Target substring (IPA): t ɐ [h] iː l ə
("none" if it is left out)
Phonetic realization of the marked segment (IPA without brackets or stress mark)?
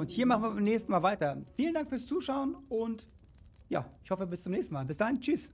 f